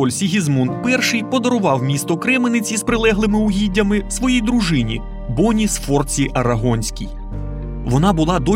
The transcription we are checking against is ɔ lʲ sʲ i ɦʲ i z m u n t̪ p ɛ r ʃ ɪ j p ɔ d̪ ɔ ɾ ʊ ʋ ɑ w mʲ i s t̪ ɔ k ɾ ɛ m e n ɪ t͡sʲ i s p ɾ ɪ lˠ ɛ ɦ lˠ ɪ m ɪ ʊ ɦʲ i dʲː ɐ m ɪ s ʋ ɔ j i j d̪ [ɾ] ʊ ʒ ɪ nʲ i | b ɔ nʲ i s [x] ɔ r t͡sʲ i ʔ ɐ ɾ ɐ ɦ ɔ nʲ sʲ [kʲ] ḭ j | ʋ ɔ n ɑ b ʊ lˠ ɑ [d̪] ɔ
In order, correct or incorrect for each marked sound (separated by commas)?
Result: correct, incorrect, correct, correct